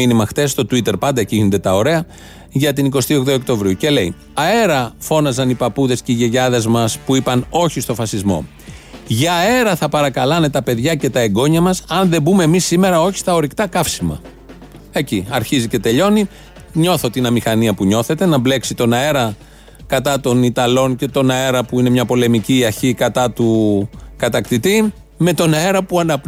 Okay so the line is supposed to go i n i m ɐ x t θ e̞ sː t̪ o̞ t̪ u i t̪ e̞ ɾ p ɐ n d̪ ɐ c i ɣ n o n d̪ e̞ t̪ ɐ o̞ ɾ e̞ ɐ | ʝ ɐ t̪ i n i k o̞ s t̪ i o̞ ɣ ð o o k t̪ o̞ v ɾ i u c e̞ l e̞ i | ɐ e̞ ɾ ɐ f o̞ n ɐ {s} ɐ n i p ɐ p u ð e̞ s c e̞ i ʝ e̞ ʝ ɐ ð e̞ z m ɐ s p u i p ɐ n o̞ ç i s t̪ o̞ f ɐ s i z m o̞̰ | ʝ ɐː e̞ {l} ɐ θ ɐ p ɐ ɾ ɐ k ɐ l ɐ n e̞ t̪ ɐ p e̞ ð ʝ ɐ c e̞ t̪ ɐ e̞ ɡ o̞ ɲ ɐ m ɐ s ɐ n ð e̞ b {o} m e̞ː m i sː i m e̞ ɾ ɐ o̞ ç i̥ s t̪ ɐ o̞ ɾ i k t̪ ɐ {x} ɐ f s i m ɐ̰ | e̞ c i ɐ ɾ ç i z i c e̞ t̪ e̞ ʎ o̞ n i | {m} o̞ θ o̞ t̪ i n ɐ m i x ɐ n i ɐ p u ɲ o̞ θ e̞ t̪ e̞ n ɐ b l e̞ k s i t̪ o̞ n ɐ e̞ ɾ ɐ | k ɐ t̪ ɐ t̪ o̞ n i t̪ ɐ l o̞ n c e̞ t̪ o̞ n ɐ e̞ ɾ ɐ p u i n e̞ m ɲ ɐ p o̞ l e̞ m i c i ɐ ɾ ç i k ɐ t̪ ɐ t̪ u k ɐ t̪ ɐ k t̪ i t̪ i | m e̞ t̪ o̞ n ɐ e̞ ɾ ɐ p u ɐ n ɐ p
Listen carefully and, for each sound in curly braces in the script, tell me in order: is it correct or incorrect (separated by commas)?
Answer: incorrect, incorrect, incorrect, incorrect, incorrect